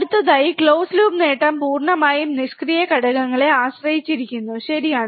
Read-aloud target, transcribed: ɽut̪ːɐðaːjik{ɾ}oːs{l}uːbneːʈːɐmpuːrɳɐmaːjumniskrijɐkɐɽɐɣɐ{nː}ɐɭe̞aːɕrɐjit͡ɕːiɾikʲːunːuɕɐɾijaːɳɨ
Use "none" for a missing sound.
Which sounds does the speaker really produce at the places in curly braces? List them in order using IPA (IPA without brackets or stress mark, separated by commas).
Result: ɭ, l, ŋː